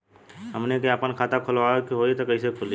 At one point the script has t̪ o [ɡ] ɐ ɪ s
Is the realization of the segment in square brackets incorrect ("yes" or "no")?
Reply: yes